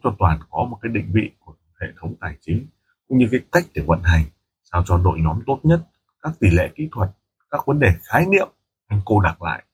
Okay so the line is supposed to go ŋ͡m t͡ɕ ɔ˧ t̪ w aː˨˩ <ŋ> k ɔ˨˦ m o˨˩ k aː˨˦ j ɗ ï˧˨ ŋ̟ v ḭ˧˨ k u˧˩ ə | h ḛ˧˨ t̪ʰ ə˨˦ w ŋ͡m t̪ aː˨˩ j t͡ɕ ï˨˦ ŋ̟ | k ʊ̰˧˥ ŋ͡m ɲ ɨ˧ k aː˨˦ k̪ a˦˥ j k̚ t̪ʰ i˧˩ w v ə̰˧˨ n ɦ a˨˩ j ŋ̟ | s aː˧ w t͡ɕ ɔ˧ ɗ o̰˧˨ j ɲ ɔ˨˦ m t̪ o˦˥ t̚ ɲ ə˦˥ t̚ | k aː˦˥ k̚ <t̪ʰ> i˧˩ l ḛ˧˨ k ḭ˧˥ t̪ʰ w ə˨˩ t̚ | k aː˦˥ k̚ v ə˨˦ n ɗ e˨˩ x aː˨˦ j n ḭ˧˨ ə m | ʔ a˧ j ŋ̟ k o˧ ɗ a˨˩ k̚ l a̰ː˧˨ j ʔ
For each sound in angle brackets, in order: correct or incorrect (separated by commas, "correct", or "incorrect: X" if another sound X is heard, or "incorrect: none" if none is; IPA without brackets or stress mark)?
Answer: incorrect: n, incorrect: t̪